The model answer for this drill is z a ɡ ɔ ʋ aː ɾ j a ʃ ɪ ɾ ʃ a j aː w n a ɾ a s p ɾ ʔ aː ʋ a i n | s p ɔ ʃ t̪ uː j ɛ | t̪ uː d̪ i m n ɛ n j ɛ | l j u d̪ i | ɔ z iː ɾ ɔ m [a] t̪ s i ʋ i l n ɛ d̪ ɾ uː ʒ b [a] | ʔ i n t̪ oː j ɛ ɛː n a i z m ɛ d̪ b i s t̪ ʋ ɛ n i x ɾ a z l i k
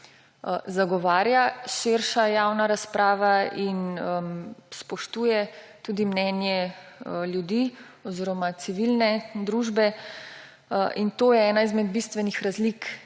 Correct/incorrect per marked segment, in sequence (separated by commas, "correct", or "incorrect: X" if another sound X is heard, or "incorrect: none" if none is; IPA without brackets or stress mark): correct, incorrect: ɛ